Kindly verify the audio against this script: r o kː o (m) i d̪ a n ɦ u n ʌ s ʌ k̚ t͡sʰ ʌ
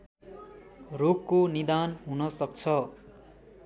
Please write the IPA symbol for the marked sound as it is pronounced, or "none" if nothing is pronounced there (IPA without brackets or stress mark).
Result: n